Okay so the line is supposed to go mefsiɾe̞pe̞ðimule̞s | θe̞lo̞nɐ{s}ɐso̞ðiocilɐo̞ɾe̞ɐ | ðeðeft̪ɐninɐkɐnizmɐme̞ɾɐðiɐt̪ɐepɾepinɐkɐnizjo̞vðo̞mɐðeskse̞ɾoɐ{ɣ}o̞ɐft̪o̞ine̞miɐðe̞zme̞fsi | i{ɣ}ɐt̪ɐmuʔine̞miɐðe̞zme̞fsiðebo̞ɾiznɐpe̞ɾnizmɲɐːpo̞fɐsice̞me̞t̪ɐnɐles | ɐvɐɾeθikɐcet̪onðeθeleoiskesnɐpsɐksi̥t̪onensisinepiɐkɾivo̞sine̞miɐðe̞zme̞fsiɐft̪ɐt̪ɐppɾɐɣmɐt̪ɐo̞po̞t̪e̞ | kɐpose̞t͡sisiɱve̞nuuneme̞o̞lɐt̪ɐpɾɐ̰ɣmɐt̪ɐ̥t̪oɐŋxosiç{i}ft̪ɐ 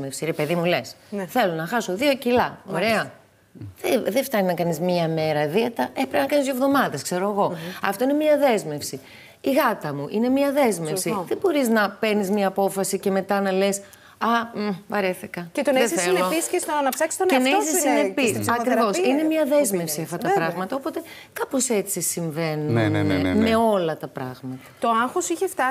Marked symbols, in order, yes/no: no, yes, yes, no

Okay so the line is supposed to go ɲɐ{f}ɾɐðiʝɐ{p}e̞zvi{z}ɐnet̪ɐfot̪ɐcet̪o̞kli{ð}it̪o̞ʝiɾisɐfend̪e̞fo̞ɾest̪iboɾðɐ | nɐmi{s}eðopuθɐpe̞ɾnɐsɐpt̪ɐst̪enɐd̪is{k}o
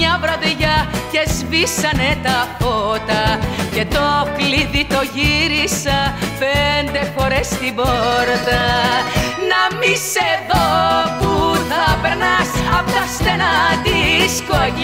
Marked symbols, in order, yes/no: no, no, no, yes, yes, yes

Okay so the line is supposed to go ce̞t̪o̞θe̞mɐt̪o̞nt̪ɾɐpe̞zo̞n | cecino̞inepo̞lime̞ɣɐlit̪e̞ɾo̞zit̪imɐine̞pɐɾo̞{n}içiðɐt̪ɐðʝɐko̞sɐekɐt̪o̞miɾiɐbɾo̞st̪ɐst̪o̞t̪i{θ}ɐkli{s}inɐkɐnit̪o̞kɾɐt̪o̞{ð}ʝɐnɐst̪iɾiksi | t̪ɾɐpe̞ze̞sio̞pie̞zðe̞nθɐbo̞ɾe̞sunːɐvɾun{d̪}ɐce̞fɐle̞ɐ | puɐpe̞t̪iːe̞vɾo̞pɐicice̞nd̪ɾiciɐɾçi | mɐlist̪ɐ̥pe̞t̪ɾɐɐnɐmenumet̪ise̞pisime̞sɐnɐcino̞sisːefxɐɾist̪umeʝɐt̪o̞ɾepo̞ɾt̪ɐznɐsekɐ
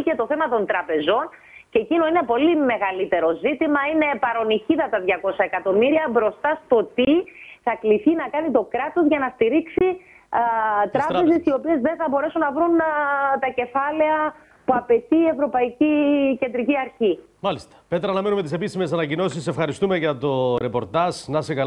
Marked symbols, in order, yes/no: yes, yes, no, no, no

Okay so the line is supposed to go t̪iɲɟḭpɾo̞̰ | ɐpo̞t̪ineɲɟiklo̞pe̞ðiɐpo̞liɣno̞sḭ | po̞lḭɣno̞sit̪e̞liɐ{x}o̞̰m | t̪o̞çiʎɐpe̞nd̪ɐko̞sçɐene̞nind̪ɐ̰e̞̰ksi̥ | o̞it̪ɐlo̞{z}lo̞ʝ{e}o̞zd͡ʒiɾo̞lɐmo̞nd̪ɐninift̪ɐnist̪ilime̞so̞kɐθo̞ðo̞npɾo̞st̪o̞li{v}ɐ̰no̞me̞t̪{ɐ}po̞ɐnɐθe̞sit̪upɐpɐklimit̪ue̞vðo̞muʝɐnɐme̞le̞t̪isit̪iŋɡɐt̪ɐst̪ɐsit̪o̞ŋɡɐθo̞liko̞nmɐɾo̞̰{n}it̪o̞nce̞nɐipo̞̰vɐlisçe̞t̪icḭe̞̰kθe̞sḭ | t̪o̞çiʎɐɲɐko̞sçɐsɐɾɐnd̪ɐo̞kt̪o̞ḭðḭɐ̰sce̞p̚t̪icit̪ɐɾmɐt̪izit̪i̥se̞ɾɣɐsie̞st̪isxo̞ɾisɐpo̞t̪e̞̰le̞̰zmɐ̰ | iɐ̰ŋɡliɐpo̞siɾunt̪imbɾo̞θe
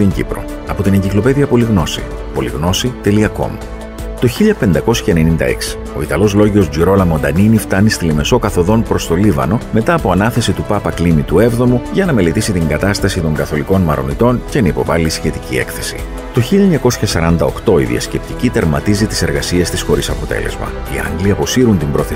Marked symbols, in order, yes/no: no, yes, no, yes, no, yes

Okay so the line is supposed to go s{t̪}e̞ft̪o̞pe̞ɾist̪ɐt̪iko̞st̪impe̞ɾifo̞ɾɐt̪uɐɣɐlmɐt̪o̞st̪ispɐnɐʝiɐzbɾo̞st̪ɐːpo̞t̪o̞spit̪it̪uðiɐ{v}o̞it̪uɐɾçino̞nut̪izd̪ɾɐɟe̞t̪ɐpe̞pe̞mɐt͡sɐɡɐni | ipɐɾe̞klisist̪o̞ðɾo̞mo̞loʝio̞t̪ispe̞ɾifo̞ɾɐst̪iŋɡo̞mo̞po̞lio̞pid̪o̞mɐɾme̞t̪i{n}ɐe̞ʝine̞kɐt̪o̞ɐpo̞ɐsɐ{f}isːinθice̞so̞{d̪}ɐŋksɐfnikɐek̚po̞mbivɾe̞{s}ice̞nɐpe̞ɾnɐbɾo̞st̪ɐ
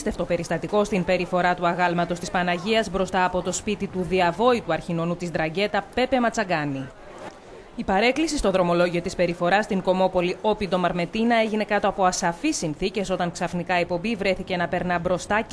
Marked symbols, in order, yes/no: yes, yes, yes, yes, no, no

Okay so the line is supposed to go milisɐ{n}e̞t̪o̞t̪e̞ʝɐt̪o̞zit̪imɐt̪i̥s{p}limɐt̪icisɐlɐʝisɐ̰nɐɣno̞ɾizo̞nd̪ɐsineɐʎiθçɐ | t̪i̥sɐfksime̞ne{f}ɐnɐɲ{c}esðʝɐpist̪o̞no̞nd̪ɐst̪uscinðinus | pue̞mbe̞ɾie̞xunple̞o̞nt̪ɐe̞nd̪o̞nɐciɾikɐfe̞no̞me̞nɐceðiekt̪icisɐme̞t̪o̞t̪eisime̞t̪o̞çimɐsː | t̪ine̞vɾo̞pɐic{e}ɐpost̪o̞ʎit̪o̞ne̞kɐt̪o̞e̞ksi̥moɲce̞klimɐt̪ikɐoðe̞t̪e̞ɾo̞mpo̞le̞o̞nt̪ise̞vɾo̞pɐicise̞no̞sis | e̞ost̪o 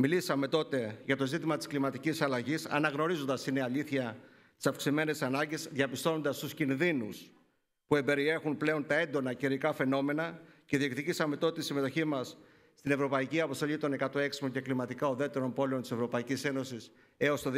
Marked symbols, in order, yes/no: no, no, no, no, no

